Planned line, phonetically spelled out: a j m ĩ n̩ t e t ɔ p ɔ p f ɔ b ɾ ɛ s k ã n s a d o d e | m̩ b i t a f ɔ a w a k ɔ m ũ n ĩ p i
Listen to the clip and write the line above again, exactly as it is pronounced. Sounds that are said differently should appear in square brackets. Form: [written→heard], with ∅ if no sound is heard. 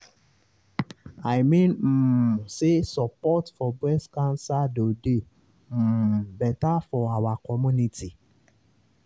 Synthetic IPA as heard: a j m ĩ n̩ [t→s] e [t→s] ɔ p ɔ [p→t] f ɔ b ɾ ɛ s k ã n s a d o d e | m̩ b [i→ɛ] t a f ɔ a w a k ɔ m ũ n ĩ [p→t] i